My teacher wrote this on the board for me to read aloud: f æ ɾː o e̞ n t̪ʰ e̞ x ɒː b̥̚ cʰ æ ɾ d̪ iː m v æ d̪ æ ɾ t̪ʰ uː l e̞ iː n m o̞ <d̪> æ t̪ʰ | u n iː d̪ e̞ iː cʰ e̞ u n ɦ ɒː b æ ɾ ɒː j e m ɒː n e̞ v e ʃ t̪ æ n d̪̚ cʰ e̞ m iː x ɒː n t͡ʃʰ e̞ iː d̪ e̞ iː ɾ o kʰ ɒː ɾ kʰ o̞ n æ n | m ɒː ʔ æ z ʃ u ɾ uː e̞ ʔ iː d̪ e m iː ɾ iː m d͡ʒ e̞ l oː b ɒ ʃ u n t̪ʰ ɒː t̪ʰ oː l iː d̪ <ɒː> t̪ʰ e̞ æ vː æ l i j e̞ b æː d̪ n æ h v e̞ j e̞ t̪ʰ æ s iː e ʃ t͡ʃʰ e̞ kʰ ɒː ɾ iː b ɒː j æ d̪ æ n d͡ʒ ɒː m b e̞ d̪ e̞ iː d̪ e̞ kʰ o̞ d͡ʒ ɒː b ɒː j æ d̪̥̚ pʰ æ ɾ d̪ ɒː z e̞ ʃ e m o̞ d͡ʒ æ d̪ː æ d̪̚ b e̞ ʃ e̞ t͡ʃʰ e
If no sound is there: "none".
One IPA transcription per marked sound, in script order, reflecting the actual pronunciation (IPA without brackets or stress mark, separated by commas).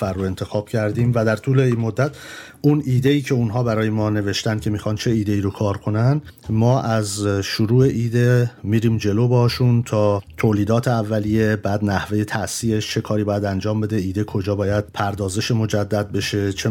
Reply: d̪ː, ɒː